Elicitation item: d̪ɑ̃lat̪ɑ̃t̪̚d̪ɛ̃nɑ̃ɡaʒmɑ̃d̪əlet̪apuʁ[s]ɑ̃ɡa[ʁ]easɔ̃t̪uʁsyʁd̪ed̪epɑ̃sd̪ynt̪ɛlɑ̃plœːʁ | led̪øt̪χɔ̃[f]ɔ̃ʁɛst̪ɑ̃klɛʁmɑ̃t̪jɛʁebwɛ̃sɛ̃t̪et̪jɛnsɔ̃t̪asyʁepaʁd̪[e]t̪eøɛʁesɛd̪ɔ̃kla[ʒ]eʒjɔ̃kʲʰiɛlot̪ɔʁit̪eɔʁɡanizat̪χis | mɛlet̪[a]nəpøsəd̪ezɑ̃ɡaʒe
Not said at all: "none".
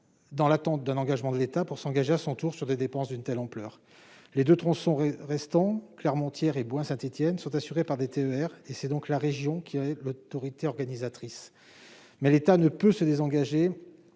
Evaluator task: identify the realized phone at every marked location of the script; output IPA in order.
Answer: s, ʒ, s, e, ʁ, a

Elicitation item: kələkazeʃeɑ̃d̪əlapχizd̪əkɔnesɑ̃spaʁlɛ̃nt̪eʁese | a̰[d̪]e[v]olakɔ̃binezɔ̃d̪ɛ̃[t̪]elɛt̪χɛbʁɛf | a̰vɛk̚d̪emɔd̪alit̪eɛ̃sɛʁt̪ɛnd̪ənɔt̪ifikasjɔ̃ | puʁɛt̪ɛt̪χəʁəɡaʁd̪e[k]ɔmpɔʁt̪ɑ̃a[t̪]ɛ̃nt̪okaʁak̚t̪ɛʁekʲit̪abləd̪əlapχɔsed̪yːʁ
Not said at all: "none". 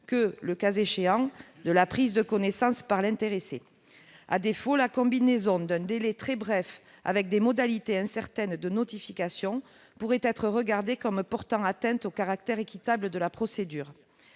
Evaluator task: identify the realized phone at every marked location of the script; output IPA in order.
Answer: d̪, f, d̪, k, t̪

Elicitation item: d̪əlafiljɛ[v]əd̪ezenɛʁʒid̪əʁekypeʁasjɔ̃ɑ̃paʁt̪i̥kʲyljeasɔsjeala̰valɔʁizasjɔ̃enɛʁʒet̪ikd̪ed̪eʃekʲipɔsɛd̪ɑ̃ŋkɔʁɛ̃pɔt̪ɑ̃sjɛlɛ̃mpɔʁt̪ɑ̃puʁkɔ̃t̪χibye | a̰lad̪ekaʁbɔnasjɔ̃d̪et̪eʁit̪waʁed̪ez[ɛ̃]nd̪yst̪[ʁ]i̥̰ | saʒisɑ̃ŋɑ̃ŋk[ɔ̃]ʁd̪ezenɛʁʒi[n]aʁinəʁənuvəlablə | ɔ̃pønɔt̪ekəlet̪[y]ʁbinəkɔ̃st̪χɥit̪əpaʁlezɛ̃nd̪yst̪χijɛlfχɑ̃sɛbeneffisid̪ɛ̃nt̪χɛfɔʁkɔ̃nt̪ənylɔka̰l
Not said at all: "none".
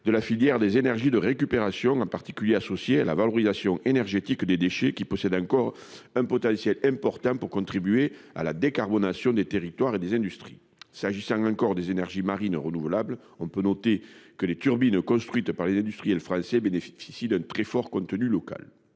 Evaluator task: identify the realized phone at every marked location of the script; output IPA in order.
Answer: ʁ, ɛ̃, χ, ɔ, m, y

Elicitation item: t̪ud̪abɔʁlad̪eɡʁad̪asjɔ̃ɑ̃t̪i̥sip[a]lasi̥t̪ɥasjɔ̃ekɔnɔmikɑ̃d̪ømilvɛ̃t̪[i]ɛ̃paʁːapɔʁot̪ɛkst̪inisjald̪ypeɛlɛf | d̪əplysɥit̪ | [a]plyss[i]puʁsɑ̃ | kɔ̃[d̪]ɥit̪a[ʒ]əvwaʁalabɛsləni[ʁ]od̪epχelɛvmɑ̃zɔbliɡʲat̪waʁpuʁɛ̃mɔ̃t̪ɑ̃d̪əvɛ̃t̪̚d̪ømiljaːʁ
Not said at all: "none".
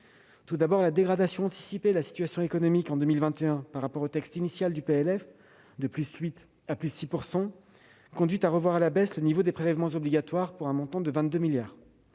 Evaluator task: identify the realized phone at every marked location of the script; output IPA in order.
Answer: e, e, a, i, d̪, ʁ, v

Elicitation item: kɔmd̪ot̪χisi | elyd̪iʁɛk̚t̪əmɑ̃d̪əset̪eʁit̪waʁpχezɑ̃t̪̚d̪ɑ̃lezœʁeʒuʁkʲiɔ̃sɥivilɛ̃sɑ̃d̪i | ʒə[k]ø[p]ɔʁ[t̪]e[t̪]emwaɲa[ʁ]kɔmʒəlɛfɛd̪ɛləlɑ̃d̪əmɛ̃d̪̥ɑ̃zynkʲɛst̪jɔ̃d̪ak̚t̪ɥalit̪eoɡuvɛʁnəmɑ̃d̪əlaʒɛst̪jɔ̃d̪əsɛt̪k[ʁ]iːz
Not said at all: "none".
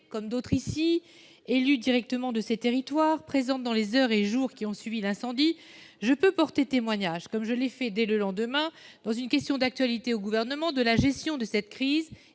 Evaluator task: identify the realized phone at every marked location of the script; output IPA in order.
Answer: p, p, t̪, t̪, ʒ, χ

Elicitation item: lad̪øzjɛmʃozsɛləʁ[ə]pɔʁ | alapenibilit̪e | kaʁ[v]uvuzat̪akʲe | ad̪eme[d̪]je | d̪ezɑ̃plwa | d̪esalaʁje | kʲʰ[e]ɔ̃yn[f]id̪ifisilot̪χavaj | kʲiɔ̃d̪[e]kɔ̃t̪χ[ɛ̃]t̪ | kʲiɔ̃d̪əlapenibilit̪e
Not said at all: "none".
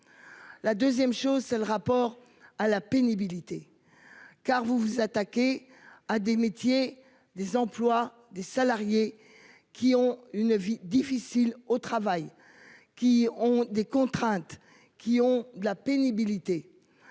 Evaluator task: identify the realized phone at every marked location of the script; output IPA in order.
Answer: a, v, t̪, i, v, e, ɛ̃

